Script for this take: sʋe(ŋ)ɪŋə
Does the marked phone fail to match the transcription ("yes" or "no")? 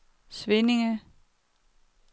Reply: yes